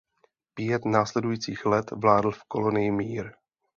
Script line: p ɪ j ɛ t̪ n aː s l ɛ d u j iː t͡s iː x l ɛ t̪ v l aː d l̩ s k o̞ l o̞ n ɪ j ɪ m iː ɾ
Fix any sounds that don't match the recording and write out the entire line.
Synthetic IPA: p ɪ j ɛ t̪ n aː s l ɛ d u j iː t͡s iː x l ɛ t̪ v l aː d l̩ f k o̞ l o̞ n ɪ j ɪ m iː ɾ